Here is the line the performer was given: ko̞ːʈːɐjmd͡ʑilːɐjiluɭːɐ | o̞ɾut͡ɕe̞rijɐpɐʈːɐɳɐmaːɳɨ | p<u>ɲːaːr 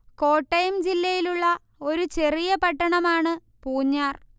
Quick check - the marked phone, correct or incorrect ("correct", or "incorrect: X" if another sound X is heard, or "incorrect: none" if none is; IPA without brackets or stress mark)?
incorrect: uː